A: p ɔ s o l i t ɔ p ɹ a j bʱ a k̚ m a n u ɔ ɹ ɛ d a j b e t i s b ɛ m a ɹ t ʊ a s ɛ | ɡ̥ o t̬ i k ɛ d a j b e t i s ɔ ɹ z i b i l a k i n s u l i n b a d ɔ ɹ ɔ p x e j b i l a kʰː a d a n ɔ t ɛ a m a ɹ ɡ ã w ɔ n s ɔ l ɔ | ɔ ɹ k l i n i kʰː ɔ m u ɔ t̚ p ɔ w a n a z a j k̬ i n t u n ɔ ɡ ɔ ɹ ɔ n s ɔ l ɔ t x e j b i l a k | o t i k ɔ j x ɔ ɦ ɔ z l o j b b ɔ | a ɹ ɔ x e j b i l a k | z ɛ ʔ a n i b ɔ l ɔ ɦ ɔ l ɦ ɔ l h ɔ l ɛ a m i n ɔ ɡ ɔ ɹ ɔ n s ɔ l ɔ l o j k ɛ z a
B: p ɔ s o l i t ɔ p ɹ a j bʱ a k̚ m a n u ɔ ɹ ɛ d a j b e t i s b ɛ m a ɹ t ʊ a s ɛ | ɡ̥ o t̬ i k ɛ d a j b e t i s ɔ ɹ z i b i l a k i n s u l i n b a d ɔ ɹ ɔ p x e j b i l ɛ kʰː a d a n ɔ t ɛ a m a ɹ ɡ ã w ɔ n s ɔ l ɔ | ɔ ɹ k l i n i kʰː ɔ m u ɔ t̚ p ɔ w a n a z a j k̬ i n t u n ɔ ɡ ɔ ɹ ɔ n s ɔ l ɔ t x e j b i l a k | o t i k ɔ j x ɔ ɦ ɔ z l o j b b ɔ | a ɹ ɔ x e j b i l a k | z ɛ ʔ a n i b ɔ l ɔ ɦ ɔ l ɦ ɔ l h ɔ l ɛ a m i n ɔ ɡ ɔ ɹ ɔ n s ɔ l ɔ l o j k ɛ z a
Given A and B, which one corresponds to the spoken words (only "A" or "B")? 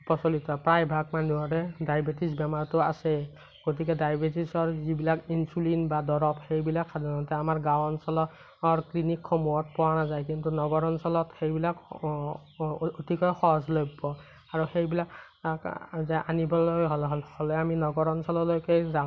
A